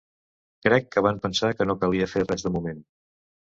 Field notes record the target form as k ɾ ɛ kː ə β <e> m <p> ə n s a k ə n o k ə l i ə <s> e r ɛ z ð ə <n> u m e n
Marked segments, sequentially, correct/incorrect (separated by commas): incorrect, correct, incorrect, incorrect